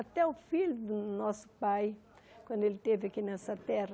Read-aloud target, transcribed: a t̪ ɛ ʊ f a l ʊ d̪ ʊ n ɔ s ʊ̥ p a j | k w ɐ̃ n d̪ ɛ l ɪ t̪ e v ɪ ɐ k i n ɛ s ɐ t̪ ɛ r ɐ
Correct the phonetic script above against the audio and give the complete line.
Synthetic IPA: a t̪ ɛ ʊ f i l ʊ d̪ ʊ n ɔ s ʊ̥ p a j | k w ɐ̃ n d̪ e l ɪ t̪ e v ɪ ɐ k i n ɛ s ɐ t̪ ɛ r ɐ